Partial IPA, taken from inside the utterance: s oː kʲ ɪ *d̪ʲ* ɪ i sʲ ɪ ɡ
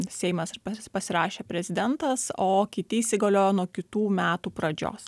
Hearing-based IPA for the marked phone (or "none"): t̪ʲ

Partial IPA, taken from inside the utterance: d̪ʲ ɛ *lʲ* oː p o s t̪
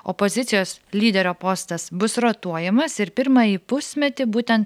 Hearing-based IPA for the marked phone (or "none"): ɾʲ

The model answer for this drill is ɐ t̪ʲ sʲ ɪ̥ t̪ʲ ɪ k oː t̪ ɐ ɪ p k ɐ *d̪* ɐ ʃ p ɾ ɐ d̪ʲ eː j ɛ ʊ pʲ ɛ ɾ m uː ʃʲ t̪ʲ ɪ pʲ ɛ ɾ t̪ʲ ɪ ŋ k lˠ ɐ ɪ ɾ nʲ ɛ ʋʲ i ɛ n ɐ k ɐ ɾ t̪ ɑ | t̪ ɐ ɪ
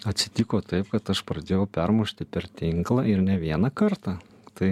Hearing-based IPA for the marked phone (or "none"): t̪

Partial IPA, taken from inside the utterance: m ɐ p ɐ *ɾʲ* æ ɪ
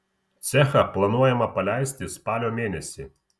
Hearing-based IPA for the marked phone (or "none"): lʲ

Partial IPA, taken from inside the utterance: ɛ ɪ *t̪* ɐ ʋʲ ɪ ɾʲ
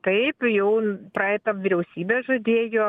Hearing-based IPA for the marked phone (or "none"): t̪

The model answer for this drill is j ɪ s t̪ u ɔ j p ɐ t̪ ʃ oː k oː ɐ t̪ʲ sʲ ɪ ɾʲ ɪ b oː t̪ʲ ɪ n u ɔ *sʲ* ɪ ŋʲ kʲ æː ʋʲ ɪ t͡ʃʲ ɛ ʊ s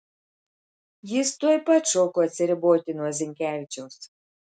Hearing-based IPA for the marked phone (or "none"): zʲ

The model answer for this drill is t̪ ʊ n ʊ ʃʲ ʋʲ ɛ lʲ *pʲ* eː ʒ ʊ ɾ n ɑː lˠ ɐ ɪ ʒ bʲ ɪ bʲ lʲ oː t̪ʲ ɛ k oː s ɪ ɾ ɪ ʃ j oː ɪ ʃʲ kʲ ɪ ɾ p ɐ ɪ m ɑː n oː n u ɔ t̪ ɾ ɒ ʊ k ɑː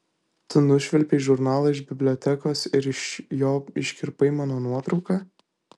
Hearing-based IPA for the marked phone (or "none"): pʲ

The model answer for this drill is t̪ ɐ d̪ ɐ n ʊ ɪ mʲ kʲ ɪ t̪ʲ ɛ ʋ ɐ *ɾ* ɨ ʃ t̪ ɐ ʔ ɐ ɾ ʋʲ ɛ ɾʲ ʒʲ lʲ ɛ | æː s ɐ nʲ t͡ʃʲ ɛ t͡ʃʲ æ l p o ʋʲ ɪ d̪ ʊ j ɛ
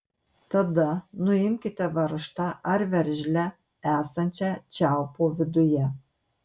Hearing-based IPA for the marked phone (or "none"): ɾ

